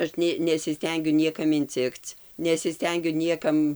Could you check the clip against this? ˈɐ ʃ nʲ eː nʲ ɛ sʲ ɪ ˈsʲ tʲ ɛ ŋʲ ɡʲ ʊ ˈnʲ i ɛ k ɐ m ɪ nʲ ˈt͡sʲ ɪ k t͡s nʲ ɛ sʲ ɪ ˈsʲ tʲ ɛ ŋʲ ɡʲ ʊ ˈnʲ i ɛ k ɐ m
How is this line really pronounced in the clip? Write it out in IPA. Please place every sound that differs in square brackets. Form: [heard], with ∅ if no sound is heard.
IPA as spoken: ˈɐ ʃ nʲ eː nʲ ɛ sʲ ɪ ˈsʲ tʲ ɛ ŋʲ ɡʲ ʊ ˈnʲ i ɛ k ɐ m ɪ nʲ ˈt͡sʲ ɪ k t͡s nʲ ɛ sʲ ɪ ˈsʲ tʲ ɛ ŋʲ ɡʲ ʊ ˈnʲ i ɛ k ɐ m